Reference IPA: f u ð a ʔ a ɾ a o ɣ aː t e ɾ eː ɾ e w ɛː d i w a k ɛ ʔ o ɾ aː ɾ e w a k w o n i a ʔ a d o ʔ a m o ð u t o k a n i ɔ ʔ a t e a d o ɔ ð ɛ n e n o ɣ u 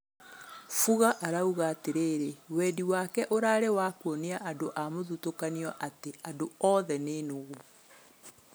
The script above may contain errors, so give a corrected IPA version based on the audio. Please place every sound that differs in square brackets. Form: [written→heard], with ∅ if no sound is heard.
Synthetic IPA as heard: f u [ð→ɣ] a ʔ a ɾ a [o→u] ɣ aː t e ɾ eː ɾ e w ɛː d i w a k ɛ ʔ o ɾ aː ɾ e w a k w o n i a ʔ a d o ʔ a m o ð u t o k a n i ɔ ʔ a t e a d o ɔ ð ɛ n e n o ɣ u